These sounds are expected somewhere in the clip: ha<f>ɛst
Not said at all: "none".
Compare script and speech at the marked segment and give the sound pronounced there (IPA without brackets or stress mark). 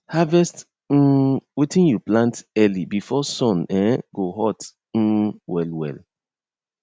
v